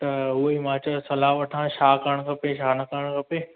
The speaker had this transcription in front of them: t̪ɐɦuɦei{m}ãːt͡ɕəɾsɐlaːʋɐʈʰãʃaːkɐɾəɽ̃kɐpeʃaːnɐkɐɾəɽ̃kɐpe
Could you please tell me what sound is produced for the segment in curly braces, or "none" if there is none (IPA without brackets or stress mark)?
m